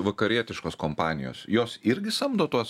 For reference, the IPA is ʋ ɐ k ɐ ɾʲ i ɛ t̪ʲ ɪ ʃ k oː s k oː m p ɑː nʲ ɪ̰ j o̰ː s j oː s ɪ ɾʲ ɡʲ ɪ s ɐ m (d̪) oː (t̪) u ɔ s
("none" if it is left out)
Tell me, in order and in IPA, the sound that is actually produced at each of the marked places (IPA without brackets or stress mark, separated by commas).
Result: d̪, t̪